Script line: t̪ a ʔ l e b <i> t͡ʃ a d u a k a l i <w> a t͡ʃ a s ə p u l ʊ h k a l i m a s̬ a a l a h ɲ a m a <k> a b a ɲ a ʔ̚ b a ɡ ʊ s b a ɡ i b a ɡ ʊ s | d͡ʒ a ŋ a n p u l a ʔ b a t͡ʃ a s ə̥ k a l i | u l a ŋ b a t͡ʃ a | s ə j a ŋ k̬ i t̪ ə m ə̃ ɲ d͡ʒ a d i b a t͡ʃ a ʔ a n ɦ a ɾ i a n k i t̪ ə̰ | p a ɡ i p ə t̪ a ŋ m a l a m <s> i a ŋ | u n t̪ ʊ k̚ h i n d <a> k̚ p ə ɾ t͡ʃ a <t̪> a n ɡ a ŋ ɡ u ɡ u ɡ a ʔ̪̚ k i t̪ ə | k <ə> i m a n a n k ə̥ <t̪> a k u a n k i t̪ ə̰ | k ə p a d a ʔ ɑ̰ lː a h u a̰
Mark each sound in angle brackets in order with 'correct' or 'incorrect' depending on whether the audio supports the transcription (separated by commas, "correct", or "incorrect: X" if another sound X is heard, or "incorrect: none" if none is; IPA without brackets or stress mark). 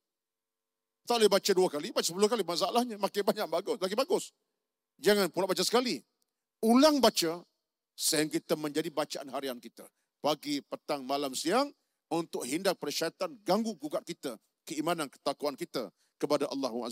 incorrect: a, incorrect: b, correct, correct, correct, correct, correct, correct